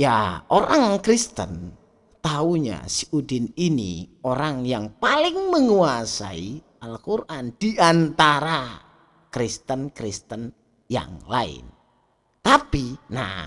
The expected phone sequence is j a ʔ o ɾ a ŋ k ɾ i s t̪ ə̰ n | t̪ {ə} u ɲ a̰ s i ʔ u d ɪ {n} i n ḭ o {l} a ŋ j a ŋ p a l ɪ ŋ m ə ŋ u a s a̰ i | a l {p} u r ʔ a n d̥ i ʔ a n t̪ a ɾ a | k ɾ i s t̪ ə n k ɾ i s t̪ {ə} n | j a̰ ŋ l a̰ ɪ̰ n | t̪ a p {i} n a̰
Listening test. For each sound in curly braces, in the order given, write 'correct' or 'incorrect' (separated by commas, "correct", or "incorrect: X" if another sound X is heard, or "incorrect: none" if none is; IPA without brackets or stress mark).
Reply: incorrect: a, correct, incorrect: ɾ, incorrect: k, correct, correct